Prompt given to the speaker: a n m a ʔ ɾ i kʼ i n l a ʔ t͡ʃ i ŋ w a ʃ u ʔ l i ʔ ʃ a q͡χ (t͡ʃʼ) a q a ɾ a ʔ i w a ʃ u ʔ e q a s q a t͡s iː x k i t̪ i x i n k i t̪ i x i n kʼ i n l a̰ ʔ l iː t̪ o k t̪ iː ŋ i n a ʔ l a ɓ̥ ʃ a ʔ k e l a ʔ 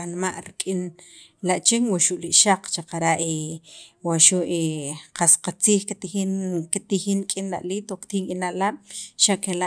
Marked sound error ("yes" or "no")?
yes